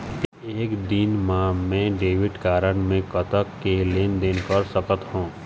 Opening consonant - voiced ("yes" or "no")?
no